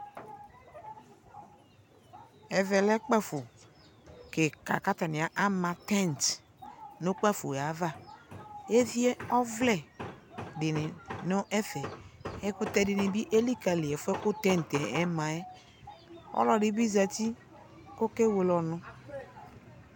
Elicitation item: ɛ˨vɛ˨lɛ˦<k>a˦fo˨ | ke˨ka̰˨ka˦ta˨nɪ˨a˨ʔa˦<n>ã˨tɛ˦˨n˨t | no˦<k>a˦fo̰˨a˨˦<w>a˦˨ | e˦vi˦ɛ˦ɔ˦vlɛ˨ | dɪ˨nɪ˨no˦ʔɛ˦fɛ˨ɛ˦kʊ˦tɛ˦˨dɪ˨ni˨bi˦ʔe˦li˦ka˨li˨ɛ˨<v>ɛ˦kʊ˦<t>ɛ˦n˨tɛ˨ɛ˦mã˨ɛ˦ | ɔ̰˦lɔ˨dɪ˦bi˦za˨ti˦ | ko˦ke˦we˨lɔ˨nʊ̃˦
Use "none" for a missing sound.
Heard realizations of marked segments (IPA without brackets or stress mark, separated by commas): k͡p, m, k͡p, v, f, t